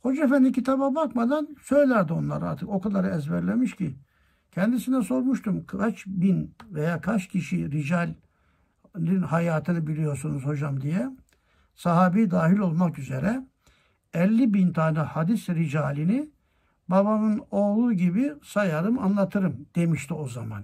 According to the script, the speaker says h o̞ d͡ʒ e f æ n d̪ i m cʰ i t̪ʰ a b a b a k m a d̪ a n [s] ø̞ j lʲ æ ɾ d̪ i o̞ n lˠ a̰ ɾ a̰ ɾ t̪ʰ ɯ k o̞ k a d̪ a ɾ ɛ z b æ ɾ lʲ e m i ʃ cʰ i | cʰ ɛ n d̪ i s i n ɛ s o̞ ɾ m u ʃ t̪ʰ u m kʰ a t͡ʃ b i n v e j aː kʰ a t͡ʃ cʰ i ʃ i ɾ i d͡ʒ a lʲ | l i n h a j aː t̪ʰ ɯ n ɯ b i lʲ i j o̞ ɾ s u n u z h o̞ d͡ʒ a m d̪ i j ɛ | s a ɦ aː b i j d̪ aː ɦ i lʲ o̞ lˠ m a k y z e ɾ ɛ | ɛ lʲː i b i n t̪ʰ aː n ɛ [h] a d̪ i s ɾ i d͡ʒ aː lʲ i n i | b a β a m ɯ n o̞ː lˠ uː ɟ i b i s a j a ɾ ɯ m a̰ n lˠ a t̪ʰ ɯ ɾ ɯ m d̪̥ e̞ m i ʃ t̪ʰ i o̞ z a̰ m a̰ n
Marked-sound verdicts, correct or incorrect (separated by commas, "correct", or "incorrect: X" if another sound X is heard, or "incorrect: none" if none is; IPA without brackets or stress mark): correct, correct